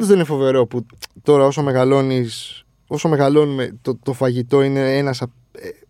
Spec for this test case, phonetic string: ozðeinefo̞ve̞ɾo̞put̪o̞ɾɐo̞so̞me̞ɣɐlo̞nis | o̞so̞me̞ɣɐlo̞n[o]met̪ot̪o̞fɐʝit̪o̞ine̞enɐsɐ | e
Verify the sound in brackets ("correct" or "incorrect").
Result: incorrect